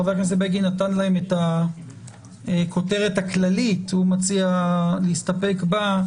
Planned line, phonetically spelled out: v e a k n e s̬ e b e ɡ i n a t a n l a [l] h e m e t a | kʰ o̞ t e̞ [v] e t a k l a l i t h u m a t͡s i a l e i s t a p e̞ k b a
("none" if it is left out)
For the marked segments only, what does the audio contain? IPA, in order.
none, ʁ

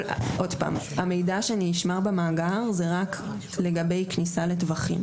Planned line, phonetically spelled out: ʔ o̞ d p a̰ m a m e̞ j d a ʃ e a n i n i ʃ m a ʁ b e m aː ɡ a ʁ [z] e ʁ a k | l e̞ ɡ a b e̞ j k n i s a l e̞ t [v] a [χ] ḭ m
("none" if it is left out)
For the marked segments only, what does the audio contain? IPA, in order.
z, v, χ

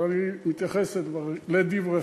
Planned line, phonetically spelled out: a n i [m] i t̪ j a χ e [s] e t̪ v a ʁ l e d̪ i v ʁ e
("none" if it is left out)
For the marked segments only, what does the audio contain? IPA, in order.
m, s

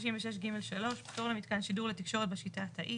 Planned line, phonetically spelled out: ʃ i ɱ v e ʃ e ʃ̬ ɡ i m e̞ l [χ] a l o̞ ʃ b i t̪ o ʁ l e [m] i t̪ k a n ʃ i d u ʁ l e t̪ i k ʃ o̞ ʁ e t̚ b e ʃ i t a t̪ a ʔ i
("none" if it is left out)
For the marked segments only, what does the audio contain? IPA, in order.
ʃ, m

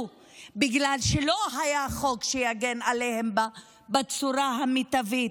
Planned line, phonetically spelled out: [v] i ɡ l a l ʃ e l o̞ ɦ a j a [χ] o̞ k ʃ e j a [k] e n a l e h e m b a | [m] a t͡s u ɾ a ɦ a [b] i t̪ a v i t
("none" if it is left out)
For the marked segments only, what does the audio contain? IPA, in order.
b, χ, ɡ, b, m

